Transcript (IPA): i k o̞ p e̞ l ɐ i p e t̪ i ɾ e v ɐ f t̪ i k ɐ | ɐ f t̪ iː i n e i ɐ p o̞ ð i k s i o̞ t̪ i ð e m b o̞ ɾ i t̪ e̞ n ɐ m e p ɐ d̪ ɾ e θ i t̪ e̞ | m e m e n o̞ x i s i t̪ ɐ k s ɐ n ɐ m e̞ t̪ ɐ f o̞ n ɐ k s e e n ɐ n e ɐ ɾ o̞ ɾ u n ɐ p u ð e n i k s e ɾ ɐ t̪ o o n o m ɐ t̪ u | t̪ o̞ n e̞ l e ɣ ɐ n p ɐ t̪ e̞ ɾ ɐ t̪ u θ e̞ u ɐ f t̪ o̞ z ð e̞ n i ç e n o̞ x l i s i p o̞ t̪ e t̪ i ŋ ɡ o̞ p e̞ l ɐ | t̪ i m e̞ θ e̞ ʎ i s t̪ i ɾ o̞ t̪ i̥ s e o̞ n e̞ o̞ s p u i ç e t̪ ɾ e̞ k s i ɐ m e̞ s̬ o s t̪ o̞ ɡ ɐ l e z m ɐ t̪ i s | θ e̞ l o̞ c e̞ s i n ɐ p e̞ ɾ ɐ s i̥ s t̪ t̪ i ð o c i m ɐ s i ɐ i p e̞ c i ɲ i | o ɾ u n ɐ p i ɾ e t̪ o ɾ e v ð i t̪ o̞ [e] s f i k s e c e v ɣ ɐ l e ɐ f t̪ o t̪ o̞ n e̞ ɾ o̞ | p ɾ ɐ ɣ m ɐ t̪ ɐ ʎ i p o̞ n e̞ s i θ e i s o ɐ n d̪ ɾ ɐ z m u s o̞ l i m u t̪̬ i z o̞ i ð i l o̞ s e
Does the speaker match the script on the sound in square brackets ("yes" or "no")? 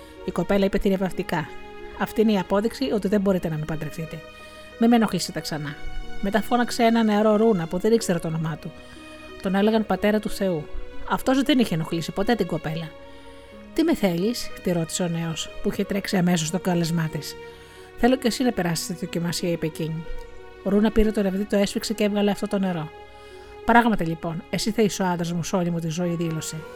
yes